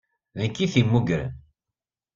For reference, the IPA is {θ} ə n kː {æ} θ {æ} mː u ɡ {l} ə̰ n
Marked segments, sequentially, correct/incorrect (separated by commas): incorrect, incorrect, incorrect, incorrect